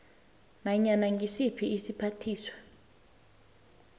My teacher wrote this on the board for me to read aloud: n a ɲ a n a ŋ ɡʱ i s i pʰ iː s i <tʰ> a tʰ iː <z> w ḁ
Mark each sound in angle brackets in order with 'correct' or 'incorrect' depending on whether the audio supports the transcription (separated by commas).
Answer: incorrect, incorrect